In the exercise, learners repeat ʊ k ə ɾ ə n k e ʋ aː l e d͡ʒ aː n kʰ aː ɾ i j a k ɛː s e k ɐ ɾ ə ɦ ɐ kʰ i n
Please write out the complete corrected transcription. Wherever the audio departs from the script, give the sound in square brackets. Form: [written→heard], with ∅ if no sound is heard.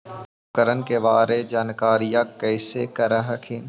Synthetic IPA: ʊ k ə ɾ ə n k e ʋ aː [l→ɾ] e d͡ʒ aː n [kʰ→k] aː ɾ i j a k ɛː s e k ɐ ɾ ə ɦ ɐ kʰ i n